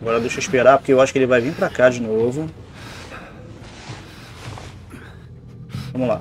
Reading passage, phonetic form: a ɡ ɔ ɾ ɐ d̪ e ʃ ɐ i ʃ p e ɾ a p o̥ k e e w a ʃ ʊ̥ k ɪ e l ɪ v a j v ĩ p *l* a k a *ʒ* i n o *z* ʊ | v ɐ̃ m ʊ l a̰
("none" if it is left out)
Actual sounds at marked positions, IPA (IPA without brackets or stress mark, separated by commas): ɾ, d͡ʒ, v